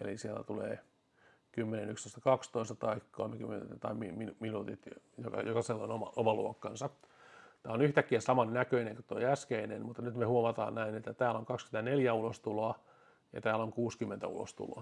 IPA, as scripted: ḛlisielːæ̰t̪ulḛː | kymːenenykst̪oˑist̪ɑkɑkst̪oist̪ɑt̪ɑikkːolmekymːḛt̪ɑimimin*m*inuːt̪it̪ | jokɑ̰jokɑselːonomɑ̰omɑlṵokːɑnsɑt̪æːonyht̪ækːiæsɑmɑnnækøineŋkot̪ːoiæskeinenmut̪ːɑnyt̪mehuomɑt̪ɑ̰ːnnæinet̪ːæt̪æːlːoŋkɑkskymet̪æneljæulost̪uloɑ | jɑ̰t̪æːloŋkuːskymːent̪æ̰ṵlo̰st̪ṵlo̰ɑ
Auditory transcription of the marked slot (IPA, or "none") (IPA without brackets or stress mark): m